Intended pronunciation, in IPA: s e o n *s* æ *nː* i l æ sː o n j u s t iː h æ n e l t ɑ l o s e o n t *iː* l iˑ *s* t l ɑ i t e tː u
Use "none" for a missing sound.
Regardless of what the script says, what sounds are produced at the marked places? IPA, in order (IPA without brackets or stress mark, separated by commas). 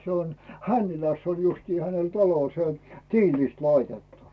h, nː, iː, s